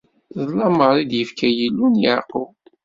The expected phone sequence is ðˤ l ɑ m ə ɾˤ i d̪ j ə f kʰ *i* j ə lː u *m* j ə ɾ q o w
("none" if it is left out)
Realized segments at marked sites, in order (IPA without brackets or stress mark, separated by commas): æ, n